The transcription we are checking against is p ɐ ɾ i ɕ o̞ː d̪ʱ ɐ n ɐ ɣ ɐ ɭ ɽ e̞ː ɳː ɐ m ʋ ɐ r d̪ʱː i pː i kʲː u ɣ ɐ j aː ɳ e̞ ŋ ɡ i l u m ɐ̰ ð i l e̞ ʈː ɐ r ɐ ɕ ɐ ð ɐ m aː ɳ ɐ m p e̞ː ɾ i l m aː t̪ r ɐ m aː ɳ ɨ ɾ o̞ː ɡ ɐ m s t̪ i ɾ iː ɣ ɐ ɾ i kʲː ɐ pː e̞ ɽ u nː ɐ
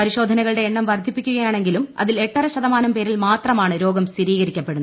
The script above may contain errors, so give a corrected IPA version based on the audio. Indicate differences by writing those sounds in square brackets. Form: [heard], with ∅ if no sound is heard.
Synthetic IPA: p ɐ ɾ i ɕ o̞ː d̪ʱ ɐ n ɐ ɣ ɐ ɭ ɽ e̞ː ɳː ɐ m ʋ ɐ r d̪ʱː i pː i kʲː u ɣ ɐ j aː ɳ e̞ ŋ ɡ i l u m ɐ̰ ð i l e̞ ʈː ɐ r ɐ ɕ ɐ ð ɐ m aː [n] ɐ m p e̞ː ɾ i l m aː t̪ r ɐ m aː ɳ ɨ ɾ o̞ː ɡ ɐ m s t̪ i ɾ iː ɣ ɐ ɾ i kʲː ɐ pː e̞ ɽ u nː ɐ